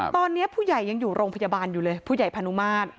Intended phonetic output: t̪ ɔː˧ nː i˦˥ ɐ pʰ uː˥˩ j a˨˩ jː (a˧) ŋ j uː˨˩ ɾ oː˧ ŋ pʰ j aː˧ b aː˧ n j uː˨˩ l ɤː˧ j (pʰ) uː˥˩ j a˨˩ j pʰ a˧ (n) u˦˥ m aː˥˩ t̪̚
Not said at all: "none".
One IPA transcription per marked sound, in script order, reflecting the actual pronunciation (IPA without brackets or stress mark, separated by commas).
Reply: a˧, pʰ, n